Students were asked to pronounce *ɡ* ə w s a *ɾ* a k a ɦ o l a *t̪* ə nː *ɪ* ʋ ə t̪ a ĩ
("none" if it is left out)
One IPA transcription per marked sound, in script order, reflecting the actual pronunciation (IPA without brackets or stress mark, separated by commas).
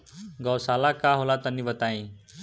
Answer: ɡ, l, t̪, i